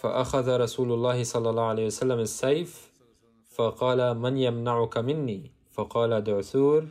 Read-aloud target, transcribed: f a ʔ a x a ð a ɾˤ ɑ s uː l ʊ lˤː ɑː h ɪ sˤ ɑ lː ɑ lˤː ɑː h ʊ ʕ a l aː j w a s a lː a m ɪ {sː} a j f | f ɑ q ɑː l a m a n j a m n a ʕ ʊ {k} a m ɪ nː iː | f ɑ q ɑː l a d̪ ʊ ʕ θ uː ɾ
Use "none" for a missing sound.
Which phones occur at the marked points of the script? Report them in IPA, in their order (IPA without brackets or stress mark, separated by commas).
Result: sː, k